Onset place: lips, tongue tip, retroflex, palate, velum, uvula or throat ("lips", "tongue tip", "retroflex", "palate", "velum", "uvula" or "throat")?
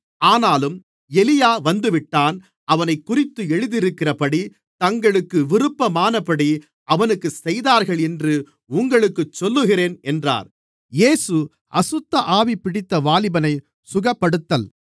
tongue tip